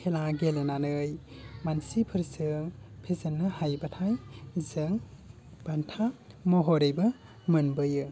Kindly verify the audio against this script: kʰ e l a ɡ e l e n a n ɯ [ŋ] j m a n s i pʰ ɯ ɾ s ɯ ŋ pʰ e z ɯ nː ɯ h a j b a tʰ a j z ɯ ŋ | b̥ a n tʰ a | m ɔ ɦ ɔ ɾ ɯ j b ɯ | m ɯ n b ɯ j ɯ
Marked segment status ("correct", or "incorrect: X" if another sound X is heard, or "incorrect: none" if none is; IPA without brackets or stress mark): incorrect: none